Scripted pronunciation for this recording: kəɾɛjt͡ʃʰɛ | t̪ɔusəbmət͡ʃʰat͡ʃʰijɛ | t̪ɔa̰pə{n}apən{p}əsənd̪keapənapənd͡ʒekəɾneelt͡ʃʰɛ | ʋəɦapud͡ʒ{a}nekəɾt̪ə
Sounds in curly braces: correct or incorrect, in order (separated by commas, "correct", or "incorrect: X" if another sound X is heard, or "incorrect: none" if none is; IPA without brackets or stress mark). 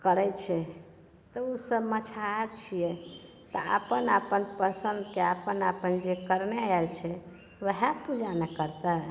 correct, correct, correct